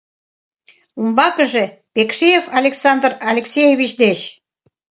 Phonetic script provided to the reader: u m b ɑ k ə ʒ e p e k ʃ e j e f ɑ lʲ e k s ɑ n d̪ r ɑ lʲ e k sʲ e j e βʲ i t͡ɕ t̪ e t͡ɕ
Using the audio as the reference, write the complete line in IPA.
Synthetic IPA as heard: u m b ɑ k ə ʒ e p e k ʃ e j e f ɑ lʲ e k s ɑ n d̪ r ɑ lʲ e k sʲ e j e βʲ i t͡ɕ d̪ e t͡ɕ